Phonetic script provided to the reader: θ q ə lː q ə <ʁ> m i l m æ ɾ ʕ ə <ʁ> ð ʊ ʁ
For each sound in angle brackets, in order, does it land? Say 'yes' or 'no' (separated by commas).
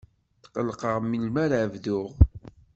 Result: yes, no